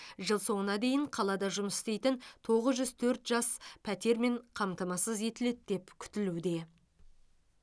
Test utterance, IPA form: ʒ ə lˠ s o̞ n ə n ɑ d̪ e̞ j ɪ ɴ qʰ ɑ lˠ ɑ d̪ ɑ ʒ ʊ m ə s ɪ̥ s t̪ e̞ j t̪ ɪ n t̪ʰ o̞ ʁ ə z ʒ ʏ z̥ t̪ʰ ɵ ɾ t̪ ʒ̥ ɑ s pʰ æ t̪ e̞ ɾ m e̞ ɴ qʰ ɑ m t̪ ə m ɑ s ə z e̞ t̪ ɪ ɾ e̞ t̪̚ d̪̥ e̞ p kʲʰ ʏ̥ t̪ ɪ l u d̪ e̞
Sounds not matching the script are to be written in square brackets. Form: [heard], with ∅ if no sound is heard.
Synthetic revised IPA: ʒ ə lˠ s o̞ [ɴ] ə n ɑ d̪ e̞ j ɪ ɴ qʰ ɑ lˠ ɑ d̪ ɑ ʒ ʊ m ə s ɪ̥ s t̪ e̞ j t̪ ɪ n t̪ʰ o̞ ʁ ə z ʒ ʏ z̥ t̪ʰ ɵ ɾ t̪ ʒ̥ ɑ s pʰ æ t̪ e̞ ɾ m e̞ ɴ qʰ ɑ m t̪ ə m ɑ s ə z e̞ t̪ ɪ [l] e̞ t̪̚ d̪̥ e̞ p kʲʰ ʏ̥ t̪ ɪ l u d̪ e̞

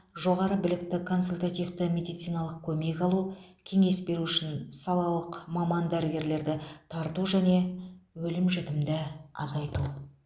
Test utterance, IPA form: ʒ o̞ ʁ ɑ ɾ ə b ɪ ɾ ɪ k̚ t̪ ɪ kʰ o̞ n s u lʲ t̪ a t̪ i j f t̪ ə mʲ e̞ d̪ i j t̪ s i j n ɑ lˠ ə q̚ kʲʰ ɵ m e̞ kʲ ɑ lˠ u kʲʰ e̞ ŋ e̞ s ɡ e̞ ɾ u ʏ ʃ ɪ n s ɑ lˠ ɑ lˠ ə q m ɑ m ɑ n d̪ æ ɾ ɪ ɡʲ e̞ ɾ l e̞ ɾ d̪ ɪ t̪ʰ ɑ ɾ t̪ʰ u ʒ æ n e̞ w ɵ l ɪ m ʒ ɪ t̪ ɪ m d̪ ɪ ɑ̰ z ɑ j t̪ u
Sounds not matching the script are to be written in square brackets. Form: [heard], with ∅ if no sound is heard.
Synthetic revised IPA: ʒ o̞ ʁ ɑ ɾ ə b ɪ [l] ɪ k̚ t̪ ɪ kʰ o̞ n s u lʲ t̪ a t̪ i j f t̪ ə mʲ e̞ d̪ i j t̪ s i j n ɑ lˠ ə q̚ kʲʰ ɵ m e̞ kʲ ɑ lˠ u kʲʰ e̞ ŋ e̞ s [b] e̞ ɾ u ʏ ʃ ɪ n s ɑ lˠ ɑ lˠ ə q m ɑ m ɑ n d̪ æ ɾ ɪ ɡʲ e̞ ɾ l e̞ ɾ d̪ ɪ t̪ʰ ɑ ɾ [t̪] u ʒ æ n e̞ w ɵ l ɪ m ʒ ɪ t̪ ɪ m d̪ ɪ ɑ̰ z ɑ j t̪ u

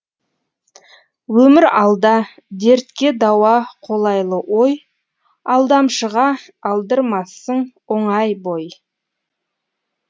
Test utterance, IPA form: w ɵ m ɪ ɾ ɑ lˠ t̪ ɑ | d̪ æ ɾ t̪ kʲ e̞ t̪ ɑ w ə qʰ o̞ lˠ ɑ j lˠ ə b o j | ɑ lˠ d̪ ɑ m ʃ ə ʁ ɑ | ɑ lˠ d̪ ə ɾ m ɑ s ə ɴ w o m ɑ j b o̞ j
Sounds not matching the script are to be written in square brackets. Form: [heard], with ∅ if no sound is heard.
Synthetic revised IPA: w ɵ m ɪ ɾ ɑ lˠ [d̪] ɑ | d̪ [e] ɾ t̪ kʲ e̞ [d̪] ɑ w [ɑ] qʰ o̞ lˠ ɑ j lˠ ə [w] o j | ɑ lˠ d̪ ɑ m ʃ ə ʁ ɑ | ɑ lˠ d̪ ə ɾ m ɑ s ə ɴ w o [ɴ] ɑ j b o̞ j

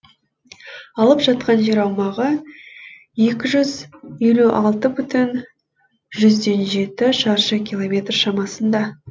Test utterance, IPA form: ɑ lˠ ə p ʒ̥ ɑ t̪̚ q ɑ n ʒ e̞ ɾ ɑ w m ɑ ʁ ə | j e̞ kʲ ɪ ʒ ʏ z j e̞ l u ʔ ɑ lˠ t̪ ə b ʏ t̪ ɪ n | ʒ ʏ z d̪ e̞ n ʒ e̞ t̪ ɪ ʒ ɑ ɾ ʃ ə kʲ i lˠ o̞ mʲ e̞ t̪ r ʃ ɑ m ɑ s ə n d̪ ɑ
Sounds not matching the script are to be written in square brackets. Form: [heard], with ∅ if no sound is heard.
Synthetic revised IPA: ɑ lˠ ə p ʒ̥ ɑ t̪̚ q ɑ n ʒ e̞ ɾ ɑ w m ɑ ʁ ə | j e̞ kʲ ɪ ʒ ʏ z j e̞ l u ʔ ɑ lˠ t̪ ə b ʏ t̪ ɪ n | ʒ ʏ z d̪ e̞ n ʒ e̞ t̪ ɪ [ʃ] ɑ ɾ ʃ ə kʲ i lˠ o̞ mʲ e̞ t̪ r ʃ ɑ m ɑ s ə n d̪ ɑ

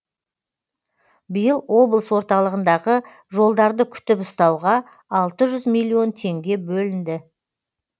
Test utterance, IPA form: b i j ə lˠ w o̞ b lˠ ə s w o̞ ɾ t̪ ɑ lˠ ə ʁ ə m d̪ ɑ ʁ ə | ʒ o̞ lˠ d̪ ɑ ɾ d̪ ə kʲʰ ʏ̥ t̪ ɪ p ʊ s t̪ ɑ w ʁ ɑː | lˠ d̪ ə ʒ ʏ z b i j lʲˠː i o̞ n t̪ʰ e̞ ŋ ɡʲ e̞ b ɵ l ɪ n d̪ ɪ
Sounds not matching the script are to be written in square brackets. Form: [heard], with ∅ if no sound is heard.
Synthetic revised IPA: b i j ə lˠ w o̞ b lˠ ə s w o̞ ɾ t̪ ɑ lˠ ə ʁ ə [n] d̪ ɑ ʁ ə | ʒ o̞ lˠ d̪ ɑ ɾ d̪ ə kʲʰ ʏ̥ t̪ ɪ p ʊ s t̪ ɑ w ʁ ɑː | lˠ [t̪] ə ʒ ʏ z [m] i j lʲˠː i o̞ n t̪ʰ e̞ ŋ ɡʲ e̞ b ɵ l ɪ n d̪ ɪ

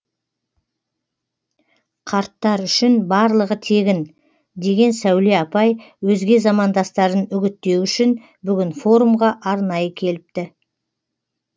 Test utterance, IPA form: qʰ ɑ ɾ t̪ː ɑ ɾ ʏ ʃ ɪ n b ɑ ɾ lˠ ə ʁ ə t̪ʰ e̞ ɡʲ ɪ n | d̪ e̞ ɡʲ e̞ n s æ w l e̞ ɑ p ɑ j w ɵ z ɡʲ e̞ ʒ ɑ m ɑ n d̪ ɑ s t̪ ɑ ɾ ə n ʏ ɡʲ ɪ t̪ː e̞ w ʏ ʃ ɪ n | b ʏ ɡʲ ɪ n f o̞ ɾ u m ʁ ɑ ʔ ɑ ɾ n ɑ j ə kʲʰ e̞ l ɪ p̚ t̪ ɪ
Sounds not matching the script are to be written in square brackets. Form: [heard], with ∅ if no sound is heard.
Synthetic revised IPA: qʰ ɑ ɾ t̪ː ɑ ɾ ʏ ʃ ɪ n b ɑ ɾ lˠ ə ʁ ə t̪ʰ e̞ ɡʲ ɪ n | d̪ e̞ ɡʲ e̞ n s æ w l e̞ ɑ p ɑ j w ɵ z ɡʲ e̞ [z] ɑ m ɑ n d̪ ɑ s t̪ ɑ ɾ ə n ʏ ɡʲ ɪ t̪ː e̞ w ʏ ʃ ɪ n | b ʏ ɡʲ ɪ n f o̞ ɾ u m ʁ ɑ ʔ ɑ ɾ n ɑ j ə kʲʰ e̞ l ɪ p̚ t̪ ɪ

